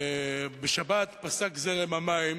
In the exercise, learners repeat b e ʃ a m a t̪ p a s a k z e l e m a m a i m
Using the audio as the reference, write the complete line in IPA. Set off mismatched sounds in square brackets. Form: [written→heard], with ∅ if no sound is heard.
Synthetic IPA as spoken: b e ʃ a [m→b] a t̪ p a s a k z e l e m a m a i m